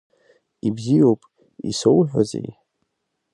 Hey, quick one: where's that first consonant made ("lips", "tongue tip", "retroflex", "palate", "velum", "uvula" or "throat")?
lips